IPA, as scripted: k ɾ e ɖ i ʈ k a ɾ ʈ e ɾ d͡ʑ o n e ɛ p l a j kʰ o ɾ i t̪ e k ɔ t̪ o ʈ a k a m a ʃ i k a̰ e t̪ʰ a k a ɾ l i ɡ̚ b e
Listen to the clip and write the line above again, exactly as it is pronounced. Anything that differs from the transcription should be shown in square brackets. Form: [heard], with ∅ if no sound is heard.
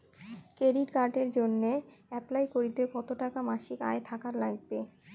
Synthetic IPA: k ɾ e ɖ i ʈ k a ɾ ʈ e ɾ d͡ʑ o [nː] e ɛ p l a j [k] o ɾ i t̪ e k ɔ t̪ o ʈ a k a m a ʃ i k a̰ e t̪ʰ a k a ɾ l [a] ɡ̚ b e